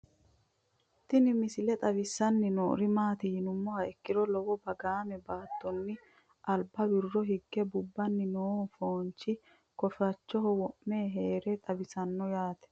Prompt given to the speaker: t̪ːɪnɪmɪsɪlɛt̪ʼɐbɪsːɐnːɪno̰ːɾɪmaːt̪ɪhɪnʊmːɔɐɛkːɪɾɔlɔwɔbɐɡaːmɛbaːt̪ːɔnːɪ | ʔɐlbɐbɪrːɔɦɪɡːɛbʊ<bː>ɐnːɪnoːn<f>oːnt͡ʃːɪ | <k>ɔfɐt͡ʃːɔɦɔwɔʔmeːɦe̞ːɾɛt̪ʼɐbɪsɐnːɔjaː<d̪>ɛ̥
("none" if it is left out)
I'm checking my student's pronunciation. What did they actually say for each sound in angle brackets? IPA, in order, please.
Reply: bː, f, k, t̪

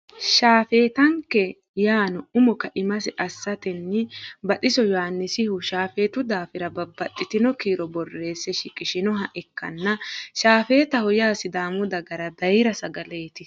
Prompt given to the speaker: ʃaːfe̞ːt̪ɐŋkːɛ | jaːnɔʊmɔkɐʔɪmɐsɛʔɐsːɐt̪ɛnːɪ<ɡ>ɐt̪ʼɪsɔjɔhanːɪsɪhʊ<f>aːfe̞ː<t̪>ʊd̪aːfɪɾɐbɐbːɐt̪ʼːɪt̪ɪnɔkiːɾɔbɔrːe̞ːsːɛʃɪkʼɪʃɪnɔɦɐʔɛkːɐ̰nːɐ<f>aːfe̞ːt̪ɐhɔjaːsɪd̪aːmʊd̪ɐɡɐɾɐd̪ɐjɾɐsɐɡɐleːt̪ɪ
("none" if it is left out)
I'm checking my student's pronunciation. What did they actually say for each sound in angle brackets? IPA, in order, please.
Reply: b, ʃ, t̪, ʃ

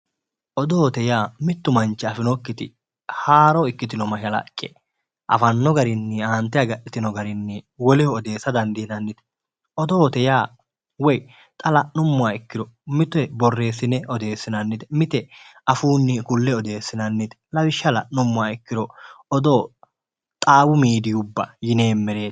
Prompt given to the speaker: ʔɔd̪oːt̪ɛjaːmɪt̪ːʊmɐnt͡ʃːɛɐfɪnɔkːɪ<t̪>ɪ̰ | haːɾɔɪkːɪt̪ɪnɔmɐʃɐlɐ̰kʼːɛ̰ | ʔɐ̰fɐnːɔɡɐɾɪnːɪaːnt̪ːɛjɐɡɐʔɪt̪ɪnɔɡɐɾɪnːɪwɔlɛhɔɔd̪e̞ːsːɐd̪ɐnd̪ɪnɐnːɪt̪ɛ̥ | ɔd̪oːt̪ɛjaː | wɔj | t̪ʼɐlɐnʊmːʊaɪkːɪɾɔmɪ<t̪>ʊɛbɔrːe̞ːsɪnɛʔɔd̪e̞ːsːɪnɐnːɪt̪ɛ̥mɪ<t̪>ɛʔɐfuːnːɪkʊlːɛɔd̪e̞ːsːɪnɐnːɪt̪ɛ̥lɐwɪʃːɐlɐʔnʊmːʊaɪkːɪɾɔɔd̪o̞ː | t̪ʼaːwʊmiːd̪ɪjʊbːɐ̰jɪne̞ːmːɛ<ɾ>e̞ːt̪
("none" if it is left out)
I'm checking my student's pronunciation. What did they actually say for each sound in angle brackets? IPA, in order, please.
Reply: t̪, t̪, t̪, ɾ

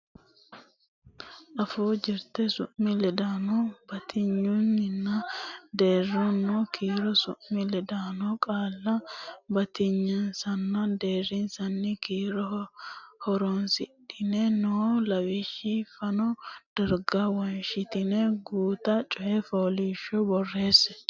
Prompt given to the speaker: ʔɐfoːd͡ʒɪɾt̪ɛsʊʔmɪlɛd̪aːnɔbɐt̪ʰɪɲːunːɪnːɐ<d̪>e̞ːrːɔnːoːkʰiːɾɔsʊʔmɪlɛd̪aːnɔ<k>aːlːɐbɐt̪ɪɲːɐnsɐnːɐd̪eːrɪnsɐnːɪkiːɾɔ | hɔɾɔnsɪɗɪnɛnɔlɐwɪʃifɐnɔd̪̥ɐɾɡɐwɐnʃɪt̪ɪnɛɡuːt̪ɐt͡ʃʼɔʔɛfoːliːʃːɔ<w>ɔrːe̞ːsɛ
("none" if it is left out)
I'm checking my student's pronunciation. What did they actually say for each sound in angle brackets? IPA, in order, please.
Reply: d̪, kʼ, b

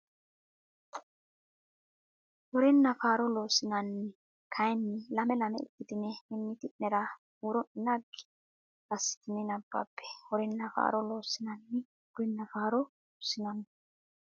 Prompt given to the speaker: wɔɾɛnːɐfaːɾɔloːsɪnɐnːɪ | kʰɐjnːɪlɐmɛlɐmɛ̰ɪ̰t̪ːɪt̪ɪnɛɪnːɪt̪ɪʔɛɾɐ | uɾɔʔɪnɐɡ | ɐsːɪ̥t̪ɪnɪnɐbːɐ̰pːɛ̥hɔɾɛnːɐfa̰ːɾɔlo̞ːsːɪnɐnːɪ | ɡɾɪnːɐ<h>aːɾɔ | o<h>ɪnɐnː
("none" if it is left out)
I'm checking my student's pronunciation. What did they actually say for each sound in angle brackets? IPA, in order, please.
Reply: f, s

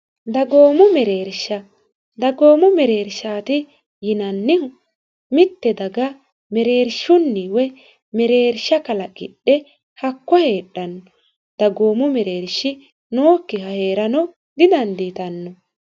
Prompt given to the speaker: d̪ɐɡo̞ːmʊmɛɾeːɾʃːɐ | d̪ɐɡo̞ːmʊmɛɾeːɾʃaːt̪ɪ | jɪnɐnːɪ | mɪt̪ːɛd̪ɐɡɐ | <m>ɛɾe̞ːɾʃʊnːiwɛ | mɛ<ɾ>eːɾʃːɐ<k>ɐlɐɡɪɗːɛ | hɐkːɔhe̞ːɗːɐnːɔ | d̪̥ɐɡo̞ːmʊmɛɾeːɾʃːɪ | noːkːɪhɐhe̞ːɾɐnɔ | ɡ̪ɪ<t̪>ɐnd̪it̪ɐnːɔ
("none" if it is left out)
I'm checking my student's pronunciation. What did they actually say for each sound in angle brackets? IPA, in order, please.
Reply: m, ɾ, k, d̪

